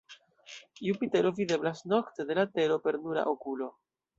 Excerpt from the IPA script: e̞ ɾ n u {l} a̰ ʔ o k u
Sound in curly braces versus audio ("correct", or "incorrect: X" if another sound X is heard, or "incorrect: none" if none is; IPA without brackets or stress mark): incorrect: ɾ